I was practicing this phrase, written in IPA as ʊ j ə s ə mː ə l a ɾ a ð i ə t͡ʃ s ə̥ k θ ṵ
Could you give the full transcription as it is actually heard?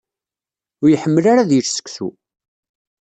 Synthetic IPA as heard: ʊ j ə ħ ə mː ə l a ɾ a ð j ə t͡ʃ s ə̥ k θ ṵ